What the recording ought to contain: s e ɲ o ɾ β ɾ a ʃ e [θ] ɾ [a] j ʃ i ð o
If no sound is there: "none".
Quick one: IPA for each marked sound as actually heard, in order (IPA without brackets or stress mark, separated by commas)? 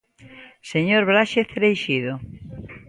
θ, e